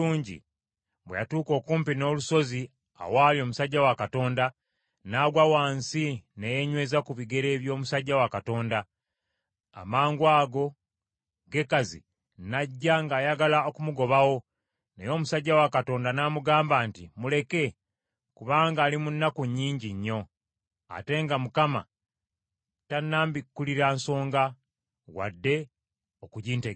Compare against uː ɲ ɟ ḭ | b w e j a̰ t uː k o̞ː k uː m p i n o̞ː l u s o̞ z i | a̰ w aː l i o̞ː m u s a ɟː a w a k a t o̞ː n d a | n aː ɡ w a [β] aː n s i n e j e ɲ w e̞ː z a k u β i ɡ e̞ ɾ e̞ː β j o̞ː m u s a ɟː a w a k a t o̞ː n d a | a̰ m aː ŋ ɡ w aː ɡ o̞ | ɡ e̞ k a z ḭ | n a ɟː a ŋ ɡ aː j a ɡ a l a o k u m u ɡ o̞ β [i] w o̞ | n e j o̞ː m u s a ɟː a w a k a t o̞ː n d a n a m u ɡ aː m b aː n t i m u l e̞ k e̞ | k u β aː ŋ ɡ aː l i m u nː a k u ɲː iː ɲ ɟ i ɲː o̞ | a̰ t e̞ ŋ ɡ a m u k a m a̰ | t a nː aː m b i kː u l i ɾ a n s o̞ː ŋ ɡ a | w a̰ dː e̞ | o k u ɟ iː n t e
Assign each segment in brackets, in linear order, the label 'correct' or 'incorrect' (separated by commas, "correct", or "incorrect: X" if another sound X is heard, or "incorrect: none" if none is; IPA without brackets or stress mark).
incorrect: w, incorrect: a